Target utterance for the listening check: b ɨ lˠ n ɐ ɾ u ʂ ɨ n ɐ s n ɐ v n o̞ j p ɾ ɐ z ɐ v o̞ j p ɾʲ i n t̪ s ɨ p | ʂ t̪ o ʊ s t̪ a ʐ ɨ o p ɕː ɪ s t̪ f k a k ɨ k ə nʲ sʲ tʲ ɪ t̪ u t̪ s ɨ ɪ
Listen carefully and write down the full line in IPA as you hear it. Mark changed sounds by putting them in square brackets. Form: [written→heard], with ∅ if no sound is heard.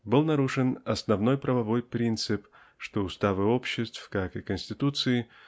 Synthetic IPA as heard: b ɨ lˠ n ɐ ɾ u ʂ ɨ n ɐ s n ɐ v n o̞ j p ɾ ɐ [z→v] ɐ v o̞ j p ɾʲ i n t̪ s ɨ p | ʂ t̪ o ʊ s t̪ a [ʐ→v] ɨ o p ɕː ɪ s t̪ f k a k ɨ k ə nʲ sʲ tʲ ɪ t̪ u t̪ s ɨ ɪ